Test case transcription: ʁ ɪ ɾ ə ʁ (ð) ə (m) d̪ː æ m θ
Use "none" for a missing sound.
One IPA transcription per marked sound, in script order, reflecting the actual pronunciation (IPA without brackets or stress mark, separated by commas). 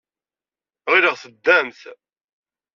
θ, none